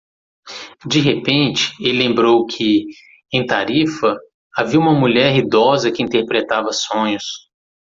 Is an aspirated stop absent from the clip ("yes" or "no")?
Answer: no